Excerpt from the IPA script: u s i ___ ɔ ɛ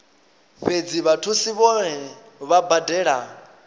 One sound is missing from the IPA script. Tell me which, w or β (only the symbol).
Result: β